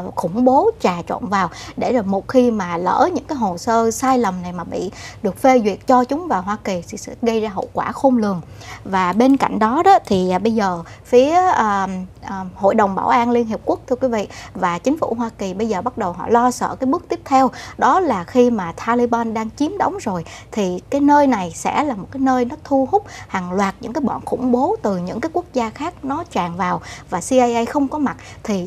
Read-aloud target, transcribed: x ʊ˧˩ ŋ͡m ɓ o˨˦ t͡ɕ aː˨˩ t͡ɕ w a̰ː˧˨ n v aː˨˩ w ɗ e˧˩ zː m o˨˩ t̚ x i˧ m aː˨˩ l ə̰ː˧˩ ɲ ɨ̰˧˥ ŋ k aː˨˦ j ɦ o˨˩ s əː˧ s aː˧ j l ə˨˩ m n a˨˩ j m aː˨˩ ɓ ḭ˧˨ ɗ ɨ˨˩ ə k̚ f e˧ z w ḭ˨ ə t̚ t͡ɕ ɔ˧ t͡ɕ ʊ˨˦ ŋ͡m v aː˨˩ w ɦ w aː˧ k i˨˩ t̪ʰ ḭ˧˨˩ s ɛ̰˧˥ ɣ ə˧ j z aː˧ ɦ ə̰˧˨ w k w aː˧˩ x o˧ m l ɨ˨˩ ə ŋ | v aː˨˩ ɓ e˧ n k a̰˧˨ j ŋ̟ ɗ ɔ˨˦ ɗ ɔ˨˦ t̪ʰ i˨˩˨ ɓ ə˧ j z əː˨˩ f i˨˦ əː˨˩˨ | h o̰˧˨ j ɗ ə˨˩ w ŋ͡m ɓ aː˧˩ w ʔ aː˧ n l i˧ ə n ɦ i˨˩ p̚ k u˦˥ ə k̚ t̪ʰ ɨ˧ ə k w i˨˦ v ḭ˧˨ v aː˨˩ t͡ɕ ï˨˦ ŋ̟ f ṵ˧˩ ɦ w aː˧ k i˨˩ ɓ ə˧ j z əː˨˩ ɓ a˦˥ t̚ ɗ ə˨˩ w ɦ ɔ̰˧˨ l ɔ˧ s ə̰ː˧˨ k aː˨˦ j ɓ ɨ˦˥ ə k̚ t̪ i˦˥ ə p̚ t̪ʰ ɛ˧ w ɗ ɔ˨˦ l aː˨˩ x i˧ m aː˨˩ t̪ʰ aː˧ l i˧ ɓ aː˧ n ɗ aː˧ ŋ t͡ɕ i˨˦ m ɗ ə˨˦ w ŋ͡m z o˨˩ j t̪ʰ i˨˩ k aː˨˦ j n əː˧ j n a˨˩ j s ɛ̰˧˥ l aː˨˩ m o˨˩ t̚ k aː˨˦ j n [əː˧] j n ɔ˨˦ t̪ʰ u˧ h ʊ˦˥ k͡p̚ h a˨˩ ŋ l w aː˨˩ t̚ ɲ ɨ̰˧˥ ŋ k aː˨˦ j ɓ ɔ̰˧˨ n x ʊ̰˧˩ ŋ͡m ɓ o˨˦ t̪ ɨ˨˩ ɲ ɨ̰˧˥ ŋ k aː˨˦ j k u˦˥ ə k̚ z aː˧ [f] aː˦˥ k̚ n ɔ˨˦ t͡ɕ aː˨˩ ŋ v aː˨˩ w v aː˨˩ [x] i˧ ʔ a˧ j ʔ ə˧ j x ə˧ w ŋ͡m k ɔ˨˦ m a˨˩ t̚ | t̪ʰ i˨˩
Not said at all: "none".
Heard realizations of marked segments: əː˧, x, s

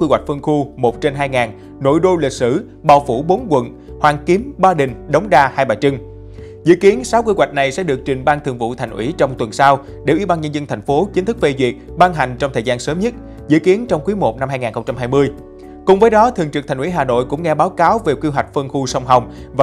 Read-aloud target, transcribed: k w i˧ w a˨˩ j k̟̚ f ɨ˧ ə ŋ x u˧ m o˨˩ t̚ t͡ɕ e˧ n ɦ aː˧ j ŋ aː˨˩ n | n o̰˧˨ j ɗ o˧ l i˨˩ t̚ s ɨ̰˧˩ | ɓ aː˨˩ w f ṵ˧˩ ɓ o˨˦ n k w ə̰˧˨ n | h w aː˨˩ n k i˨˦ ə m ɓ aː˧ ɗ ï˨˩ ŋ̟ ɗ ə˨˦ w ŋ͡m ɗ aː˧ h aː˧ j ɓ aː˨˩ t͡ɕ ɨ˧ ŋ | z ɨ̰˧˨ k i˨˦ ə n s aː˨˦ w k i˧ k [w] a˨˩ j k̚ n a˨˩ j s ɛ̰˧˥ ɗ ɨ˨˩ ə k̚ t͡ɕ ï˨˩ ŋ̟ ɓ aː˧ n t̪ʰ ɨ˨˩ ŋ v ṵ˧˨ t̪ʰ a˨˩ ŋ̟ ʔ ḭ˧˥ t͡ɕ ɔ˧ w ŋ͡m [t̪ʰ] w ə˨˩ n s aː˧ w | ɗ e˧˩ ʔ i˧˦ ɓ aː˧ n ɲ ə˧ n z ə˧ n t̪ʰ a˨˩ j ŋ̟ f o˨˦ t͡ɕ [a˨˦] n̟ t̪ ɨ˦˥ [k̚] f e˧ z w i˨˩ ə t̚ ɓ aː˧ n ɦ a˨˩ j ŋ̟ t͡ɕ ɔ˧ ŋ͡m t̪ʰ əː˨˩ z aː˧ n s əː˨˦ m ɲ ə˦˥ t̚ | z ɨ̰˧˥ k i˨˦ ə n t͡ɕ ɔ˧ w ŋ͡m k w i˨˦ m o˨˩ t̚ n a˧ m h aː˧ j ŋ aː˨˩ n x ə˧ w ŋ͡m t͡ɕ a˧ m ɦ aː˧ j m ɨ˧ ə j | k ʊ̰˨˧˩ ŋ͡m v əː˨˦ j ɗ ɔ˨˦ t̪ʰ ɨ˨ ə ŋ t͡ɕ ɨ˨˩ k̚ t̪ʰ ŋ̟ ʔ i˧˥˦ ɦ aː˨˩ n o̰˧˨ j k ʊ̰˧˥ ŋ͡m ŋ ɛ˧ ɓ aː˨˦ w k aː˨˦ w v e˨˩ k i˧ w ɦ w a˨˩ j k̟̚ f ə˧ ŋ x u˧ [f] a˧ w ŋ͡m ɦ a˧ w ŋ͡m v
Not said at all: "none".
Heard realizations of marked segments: w, t̪, i˨˦, k̚, s

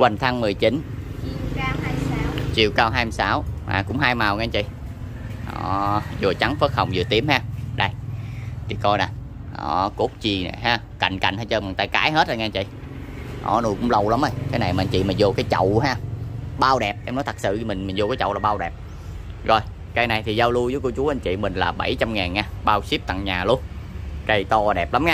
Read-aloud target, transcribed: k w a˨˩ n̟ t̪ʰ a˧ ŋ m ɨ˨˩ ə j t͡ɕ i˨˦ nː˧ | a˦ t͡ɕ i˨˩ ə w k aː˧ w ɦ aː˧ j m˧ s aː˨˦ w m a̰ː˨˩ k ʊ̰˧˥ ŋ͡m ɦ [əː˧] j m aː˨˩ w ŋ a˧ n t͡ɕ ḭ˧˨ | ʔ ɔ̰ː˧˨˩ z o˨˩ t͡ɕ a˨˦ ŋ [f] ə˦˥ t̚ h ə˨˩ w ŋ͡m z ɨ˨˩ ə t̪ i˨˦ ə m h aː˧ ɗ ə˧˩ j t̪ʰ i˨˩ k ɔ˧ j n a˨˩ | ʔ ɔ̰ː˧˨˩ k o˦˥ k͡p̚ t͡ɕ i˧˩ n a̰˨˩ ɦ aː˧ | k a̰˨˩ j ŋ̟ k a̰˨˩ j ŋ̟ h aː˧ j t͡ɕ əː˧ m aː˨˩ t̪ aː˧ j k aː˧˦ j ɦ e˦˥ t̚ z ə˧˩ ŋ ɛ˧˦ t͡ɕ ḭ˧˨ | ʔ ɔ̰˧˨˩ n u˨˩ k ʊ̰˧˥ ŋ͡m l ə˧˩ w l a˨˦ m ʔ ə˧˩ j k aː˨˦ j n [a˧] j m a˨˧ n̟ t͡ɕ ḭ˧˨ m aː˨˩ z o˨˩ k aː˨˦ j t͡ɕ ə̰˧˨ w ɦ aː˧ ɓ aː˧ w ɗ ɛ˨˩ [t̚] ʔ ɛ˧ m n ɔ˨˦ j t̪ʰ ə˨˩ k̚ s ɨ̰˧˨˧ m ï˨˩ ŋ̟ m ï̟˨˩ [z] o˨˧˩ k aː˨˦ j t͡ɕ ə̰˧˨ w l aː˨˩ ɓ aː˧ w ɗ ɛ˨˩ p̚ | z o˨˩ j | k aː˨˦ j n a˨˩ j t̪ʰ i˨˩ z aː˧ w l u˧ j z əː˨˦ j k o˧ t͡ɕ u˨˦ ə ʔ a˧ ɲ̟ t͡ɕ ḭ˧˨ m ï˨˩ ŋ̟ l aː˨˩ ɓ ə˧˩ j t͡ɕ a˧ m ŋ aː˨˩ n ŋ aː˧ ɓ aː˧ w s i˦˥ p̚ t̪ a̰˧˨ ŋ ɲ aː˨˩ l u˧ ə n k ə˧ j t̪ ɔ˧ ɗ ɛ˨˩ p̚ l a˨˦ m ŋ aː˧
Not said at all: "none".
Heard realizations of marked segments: aː˧, f, a˨˩, p̚, z

